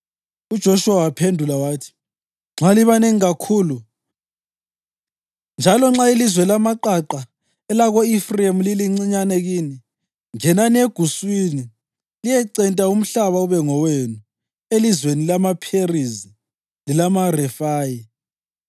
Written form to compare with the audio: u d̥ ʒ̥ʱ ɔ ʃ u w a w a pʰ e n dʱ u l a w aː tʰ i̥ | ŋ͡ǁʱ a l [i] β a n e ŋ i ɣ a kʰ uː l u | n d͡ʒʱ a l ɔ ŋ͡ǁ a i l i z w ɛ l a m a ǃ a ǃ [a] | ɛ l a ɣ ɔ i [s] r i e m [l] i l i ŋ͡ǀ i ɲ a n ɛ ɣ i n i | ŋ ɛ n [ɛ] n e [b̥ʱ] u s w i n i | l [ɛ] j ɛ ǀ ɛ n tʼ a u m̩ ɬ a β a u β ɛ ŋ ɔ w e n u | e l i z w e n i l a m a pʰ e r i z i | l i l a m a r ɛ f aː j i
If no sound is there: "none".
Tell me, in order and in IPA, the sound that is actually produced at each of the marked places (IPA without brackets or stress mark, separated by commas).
i, a, f, l, a, ɡ̥ʱ, i